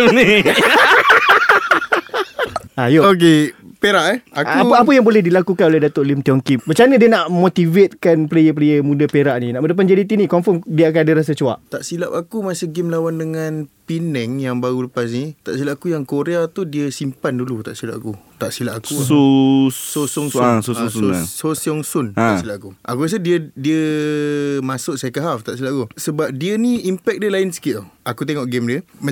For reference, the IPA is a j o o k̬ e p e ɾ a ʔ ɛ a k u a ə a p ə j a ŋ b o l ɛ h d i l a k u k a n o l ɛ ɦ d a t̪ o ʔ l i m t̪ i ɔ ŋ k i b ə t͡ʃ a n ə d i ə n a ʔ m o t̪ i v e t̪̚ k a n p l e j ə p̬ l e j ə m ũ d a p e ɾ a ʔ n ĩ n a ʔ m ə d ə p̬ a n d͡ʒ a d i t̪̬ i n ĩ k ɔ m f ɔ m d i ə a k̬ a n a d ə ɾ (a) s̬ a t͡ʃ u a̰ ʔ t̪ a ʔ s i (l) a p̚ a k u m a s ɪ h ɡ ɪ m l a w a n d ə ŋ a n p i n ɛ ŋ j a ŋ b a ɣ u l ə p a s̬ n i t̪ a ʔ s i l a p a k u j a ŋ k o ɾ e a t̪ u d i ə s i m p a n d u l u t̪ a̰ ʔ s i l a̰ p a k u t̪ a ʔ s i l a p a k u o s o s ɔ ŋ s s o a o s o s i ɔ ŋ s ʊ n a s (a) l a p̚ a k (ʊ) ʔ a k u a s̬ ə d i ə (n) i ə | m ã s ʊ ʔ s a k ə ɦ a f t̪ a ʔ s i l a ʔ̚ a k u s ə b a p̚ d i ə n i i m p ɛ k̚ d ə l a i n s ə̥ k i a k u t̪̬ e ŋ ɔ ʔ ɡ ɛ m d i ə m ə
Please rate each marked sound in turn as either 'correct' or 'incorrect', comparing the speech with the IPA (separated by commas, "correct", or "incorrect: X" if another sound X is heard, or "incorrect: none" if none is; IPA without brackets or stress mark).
correct, correct, incorrect: i, incorrect: u, incorrect: d